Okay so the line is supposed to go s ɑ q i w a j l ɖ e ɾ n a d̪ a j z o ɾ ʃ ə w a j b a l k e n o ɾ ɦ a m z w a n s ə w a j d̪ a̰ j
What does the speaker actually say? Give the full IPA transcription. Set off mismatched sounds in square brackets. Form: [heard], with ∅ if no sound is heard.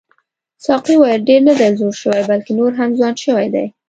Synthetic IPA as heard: s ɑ q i w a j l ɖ e ɾ n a d̪ a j z o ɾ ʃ ə w a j b a l k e n o ɾ ɦ a m z w [ɑ] n [ʃ] ə w a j d̪ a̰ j